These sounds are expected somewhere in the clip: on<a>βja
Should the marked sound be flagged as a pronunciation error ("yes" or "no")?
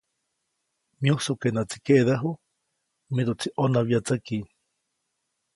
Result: no